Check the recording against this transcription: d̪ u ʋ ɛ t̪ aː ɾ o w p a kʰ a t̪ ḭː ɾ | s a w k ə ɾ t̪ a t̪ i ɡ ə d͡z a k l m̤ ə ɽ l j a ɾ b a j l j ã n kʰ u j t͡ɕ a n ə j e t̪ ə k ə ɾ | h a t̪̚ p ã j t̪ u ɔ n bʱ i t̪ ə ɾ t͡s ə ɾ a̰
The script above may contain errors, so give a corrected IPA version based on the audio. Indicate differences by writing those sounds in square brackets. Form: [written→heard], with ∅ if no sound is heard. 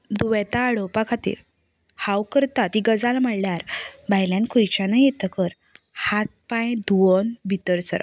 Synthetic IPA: d̪ u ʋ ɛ t̪ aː [ɾ→ɽ] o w p a kʰ a t̪ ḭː ɾ | [s→h] a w k ə ɾ t̪ a t̪ i ɡ ə d͡z a [k→∅] l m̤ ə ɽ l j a ɾ b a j l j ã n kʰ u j t͡ɕ a n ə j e t̪ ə k ə ɾ | h a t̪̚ p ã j [t̪→d̪] u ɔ n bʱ i t̪ ə ɾ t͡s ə ɾ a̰